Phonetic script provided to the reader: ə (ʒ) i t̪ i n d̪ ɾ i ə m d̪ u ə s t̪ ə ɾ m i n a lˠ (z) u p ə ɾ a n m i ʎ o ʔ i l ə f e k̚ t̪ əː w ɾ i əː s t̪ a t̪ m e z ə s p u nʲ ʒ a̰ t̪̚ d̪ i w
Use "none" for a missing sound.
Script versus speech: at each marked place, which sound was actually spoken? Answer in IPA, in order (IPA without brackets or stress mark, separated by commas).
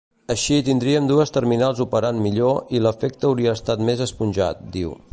ʃ, z